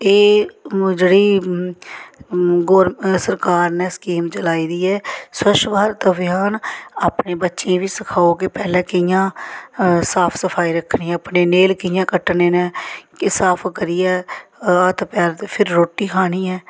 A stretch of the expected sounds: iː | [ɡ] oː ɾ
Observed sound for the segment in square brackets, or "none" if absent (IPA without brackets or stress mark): ɡ